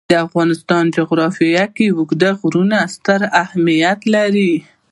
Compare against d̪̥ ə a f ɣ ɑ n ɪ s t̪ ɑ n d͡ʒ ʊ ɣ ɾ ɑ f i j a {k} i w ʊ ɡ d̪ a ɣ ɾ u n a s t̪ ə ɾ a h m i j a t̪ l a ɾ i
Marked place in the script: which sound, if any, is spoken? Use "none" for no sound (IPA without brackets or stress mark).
k